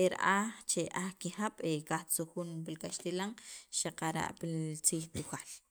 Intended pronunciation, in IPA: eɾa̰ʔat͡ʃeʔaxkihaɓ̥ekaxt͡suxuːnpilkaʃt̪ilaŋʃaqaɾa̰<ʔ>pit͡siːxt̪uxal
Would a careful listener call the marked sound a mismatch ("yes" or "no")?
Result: no